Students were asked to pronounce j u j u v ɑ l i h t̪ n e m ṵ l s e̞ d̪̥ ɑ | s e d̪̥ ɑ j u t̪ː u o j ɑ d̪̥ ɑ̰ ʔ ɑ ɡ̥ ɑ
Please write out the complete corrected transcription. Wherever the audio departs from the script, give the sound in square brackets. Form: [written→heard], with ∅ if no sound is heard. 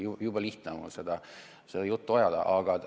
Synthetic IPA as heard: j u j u [v→b] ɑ l i h t̪ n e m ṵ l s e̞ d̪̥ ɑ | s e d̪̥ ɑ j u t̪ː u o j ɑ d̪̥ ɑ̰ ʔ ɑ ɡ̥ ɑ